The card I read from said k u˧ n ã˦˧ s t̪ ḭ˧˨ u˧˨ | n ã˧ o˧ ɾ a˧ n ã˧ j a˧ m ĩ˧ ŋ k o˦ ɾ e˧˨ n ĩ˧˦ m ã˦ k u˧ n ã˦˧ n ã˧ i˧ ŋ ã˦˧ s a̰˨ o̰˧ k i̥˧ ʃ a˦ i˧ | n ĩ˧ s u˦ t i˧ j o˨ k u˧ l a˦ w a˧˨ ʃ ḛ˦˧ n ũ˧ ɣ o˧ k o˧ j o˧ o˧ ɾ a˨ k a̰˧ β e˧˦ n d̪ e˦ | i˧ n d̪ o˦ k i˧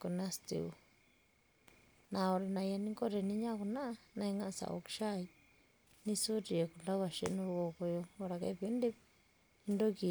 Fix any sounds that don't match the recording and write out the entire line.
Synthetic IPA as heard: k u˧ n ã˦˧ s t̪ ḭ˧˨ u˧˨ | n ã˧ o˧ ɾ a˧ n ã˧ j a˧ n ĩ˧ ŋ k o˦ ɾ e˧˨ n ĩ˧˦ ɲ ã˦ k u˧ n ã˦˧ n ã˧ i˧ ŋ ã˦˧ s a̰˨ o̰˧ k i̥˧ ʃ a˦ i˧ | n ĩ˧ s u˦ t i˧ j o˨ k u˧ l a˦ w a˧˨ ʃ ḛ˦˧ n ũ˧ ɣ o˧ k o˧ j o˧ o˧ ɾ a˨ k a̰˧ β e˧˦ n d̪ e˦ | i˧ n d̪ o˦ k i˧